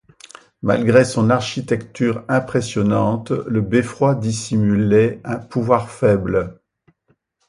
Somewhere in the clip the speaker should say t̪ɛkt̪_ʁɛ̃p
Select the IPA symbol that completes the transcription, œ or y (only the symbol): y